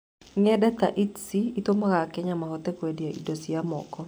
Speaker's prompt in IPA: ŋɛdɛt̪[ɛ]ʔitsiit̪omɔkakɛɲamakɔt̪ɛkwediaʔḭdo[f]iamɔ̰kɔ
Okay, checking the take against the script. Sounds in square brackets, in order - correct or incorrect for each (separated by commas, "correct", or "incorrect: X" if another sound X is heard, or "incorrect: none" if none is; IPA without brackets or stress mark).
incorrect: a, incorrect: s